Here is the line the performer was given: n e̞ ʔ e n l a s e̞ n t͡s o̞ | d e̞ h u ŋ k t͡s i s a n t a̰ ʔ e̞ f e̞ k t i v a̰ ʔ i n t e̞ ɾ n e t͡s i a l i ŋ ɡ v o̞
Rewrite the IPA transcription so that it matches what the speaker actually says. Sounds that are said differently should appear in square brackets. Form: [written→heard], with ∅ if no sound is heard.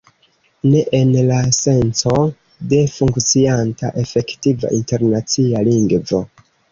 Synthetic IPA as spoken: n e̞ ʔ e n l a s e̞ n t͡s o̞ | d e̞ [h→f] u ŋ k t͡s i [s→∅] a n t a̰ ʔ e̞ f e̞ k t i v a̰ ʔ i n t e̞ ɾ n [e→a] t͡s i a l i ŋ ɡ v o̞